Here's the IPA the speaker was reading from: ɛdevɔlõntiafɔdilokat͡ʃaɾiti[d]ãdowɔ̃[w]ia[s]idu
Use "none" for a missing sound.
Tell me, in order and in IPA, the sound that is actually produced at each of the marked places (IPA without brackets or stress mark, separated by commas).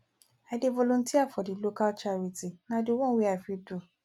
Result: n, w, f